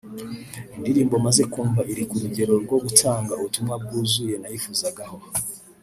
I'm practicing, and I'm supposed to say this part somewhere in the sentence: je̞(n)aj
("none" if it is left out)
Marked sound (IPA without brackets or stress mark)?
n